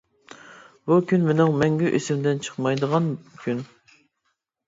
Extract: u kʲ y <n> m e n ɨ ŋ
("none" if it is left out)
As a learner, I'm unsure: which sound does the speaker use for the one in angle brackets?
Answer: n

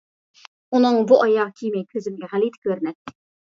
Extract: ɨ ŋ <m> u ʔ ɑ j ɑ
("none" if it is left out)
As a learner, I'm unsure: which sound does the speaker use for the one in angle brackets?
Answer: b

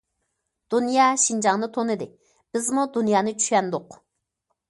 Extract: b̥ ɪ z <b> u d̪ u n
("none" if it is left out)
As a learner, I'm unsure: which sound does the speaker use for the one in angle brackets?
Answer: m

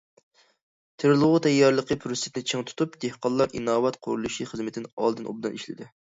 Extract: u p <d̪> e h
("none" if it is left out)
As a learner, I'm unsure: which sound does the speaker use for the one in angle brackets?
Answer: d̪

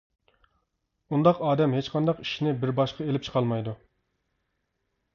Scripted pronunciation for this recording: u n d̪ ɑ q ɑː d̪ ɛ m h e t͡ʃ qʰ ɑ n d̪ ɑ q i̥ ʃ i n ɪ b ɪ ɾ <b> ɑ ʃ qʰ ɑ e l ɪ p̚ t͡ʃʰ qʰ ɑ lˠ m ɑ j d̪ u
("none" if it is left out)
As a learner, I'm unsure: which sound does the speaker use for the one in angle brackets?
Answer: b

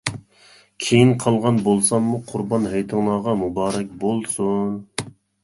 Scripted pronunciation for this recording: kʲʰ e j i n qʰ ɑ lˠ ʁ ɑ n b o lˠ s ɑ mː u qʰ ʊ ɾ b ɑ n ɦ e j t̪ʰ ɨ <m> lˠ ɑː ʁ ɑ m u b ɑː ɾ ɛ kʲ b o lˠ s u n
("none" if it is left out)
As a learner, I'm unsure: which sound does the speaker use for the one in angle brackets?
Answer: ŋ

